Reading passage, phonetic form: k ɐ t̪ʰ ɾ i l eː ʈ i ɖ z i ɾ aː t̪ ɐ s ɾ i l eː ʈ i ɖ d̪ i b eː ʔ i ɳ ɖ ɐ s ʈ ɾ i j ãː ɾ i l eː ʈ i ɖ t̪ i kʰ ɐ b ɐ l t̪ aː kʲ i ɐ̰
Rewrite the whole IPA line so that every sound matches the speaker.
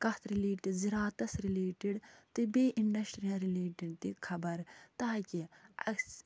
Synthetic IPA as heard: k ɐ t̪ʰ ɾ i l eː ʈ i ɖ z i ɾ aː t̪ ɐ s ɾ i l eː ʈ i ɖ t̪ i b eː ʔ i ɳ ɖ ɐ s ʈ ɾ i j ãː ɾ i l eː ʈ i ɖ t̪ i kʰ ɐ b ɐ ɾ t̪ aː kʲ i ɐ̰